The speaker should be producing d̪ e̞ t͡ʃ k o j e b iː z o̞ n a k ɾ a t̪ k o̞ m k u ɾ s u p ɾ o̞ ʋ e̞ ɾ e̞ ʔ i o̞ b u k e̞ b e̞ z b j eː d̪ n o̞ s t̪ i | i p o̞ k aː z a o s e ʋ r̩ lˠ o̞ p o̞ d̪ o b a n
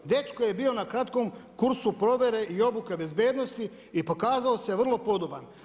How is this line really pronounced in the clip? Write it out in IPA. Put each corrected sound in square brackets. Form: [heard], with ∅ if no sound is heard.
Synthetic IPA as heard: d̪ e̞ t͡ʃ k o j e b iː [∅] o̞ n a k ɾ a t̪ k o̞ m k u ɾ s u p ɾ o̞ ʋ e̞ ɾ e̞ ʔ i o̞ b u k e̞ b e̞ z b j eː d̪ n o̞ s t̪ i | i p o̞ k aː z a o s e ʋ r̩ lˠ o̞ p o̞ d̪ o b a n